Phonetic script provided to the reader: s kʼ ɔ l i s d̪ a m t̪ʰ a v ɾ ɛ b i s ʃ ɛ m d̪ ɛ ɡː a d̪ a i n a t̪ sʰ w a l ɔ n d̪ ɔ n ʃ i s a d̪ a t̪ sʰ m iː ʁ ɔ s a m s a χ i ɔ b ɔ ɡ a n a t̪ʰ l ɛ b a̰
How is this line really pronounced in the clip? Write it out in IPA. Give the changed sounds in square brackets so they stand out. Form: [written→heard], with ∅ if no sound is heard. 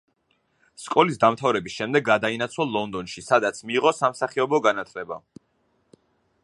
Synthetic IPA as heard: s kʼ ɔ l i s d̪ a m t̪ʰ a v ɾ ɛ b i s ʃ ɛ m d̪ ɛ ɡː a d̪ a i n a t̪ sʰ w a l ɔ n d̪ ɔ n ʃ i s a d̪ a t̪ sʰ m iː ʁ ɔ s a m s a χ i ɔ b ɔ ɡ a n a t̪ʰ l ɛ b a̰